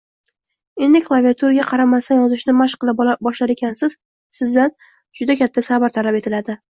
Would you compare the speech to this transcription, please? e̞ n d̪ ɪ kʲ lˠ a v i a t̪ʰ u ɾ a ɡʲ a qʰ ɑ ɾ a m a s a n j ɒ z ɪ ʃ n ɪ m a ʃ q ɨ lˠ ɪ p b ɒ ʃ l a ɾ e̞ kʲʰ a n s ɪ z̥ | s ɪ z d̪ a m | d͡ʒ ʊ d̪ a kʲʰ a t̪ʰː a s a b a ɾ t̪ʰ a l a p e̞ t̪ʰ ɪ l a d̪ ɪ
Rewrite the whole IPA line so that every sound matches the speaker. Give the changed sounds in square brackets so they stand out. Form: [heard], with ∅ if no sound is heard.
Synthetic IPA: e̞ n d̪ ɪ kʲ lˠ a v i a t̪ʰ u ɾ a ɡʲ a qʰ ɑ ɾ a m a s a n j ɒ z ɪ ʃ n ɪ m a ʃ q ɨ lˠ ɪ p b ɒ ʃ l a ɾ e̞ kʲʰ a n s ɪ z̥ | s ɪ z d̪ a [n] | d͡ʒ ʊ d̪ a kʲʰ a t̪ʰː a s a b a ɾ t̪ʰ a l a p e̞ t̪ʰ ɪ l a d̪ ɪ